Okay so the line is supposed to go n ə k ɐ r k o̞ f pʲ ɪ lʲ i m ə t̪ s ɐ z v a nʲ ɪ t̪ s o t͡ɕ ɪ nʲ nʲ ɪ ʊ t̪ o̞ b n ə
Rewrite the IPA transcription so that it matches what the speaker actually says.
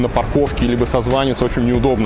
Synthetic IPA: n ə p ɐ r k o̞ f kʲ ɪ lʲ i b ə s ɐ z v a nʲ ɪ t̪ s o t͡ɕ ɪ nʲ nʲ ɪ ʊ d̪ o̞ b n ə